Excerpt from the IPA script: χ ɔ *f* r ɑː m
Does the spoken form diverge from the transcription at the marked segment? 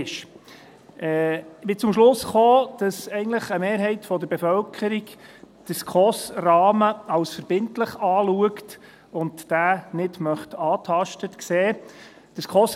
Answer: yes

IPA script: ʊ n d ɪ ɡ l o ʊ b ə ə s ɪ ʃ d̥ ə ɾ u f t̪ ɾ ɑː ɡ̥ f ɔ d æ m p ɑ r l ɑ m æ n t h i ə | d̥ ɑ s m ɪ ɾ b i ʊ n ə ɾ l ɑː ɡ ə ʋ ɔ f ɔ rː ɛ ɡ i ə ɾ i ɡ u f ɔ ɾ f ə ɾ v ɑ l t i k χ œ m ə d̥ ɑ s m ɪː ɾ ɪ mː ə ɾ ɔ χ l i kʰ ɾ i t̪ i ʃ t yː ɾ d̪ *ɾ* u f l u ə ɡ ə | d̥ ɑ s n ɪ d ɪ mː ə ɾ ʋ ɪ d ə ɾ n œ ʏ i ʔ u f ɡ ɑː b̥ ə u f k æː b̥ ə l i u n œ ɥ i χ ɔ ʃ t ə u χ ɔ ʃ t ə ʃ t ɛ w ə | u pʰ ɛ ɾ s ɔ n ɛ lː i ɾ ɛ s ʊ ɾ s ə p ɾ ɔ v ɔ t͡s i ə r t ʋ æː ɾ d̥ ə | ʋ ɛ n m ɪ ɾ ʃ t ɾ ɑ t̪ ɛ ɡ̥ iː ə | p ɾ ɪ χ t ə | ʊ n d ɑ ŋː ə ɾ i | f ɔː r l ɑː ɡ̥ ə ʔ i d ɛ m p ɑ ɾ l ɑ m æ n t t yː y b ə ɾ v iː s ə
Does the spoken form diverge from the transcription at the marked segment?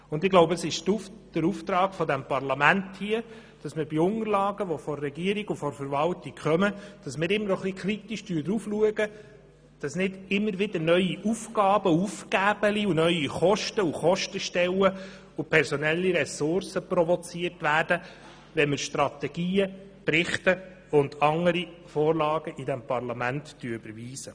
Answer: no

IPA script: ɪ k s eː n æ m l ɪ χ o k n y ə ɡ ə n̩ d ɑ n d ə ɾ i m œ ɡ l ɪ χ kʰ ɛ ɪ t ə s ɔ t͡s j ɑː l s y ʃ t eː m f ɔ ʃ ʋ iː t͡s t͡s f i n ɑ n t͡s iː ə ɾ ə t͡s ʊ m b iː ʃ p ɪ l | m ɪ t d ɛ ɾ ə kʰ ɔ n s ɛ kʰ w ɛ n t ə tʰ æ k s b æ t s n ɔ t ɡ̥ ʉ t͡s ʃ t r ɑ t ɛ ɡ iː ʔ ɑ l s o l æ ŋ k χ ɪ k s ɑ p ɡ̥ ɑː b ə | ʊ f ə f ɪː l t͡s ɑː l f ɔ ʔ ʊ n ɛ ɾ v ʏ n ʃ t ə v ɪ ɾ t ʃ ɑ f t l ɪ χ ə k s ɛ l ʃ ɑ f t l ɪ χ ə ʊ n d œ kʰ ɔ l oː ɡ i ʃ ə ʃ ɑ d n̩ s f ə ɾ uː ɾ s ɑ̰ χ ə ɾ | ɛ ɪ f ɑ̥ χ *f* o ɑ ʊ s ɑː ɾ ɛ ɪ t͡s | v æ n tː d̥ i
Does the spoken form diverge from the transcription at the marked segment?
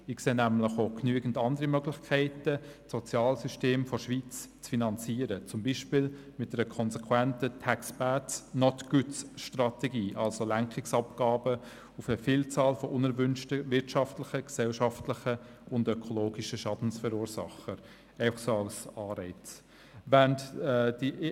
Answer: yes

